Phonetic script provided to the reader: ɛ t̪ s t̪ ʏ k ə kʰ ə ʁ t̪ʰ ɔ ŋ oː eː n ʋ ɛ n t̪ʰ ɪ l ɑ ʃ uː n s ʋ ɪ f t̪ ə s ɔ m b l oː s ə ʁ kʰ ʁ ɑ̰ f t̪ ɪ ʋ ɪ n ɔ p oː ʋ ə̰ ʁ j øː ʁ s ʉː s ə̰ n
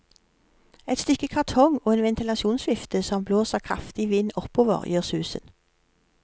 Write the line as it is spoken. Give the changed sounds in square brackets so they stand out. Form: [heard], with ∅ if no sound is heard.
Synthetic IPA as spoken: ɛ t̪ s t̪ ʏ k ə kʰ [ɑ] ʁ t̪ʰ ɔ ŋ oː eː n ʋ ɛ n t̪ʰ ɪ l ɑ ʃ uː n s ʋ ɪ f t̪ ə s ɔ m b l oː s ə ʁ kʰ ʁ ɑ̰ f t̪ ɪ ʋ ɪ n ɔ p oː ʋ ə̰ ʁ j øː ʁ s ʉː s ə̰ n